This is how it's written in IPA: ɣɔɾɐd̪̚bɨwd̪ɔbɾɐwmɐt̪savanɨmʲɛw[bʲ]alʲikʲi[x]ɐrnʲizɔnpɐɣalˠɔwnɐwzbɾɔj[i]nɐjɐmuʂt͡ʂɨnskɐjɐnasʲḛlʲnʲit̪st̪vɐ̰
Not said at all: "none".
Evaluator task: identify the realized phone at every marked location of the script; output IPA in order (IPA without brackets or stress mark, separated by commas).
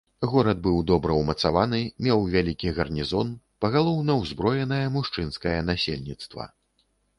vʲ, ɣ, ɛ